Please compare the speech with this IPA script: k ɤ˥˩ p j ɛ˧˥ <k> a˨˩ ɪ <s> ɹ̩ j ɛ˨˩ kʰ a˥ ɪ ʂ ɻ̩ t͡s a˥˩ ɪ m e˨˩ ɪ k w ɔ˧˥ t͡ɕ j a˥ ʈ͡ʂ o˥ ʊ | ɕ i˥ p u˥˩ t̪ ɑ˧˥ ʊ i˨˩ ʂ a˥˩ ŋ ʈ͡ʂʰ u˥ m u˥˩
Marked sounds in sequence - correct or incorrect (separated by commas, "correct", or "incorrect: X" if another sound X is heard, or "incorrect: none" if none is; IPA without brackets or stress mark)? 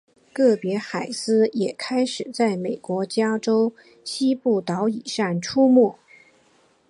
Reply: incorrect: x, correct